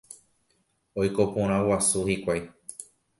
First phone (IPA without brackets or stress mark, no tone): o